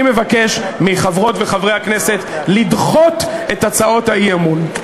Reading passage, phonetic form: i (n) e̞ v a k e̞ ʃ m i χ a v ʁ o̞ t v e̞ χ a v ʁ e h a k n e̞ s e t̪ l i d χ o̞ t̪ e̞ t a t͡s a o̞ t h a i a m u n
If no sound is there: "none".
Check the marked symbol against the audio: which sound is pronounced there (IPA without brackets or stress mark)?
m